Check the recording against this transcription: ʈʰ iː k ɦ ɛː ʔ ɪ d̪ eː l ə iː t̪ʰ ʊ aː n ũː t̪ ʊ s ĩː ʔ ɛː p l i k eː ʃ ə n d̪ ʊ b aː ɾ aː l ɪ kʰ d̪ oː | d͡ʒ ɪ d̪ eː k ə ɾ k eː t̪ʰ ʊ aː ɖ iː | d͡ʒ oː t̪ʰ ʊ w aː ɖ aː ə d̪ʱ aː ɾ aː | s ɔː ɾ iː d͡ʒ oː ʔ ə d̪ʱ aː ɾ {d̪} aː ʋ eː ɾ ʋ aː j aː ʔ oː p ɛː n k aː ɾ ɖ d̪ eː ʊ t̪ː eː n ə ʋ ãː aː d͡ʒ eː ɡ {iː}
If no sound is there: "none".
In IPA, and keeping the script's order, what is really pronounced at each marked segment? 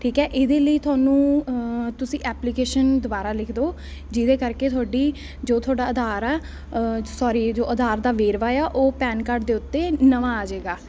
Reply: d̪, aː

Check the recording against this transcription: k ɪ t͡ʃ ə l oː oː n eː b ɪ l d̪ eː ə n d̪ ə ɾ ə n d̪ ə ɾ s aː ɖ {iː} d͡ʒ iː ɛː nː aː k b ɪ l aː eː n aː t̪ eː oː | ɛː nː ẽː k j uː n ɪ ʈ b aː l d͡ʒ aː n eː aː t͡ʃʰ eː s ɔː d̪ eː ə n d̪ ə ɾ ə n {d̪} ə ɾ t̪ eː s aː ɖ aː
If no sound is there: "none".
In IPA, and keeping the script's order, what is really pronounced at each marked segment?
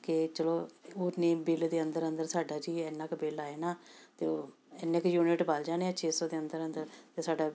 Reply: aː, d̪

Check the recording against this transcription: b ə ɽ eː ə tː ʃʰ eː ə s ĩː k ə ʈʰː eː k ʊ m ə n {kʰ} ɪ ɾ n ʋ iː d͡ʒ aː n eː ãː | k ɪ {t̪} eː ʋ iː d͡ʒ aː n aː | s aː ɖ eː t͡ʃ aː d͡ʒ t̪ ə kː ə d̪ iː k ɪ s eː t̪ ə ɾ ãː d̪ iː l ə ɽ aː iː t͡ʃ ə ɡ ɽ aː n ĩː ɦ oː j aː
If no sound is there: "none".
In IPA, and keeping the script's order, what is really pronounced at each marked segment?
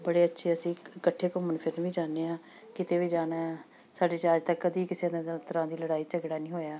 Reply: pʰ, t̪

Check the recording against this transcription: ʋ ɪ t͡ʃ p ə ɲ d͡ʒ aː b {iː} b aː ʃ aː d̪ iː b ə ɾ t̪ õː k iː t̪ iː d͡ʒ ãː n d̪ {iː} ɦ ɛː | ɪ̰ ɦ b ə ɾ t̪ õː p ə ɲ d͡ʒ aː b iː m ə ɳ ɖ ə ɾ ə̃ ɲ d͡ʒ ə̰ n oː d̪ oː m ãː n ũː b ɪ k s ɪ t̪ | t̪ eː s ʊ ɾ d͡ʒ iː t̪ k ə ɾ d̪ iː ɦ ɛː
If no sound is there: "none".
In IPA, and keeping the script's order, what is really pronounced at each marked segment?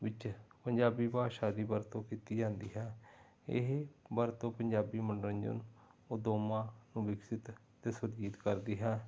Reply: iː, iː

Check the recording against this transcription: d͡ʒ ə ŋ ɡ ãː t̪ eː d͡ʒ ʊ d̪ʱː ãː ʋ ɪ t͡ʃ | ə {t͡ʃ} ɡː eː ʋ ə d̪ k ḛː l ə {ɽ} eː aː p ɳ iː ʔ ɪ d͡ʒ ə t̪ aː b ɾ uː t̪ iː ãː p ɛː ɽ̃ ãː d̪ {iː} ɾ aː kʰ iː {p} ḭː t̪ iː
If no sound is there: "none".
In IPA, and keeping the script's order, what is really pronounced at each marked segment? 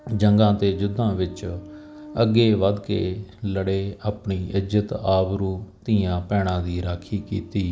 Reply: none, ɽ, iː, k

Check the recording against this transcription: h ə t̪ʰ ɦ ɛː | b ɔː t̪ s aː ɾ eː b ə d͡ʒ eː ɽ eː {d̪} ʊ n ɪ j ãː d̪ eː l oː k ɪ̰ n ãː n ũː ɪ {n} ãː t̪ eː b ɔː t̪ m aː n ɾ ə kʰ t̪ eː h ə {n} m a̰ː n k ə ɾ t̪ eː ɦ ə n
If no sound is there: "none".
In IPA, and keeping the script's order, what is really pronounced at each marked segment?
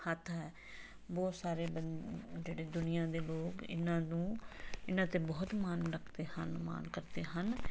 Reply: d̪, n, n

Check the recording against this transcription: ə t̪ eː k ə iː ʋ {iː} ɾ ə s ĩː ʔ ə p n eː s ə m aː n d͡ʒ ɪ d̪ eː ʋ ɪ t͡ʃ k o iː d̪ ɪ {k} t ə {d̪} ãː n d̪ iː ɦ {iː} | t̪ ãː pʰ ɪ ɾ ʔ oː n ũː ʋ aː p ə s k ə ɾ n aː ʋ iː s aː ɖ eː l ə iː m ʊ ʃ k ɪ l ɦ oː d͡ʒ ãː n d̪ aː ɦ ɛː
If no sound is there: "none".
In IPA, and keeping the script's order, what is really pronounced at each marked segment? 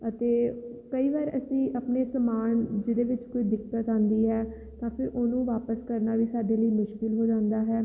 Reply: aː, k, t̪, ɛː

